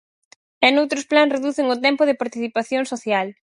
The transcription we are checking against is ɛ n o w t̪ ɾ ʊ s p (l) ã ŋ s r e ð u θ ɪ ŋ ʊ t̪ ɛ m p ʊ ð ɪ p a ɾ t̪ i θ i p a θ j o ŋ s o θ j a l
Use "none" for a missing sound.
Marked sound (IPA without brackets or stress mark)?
l